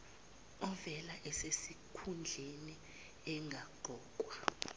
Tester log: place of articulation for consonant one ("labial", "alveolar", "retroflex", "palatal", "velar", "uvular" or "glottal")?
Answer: labial